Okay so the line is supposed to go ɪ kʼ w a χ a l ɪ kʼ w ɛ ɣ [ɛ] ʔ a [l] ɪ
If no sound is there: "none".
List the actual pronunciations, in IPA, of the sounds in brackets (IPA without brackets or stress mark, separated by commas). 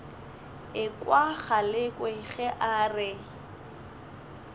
ɛ, r